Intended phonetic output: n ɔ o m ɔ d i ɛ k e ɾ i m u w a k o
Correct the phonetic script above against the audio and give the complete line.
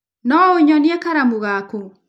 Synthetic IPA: n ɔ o ɲ ɔ n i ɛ k a ɾ a m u ɣ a k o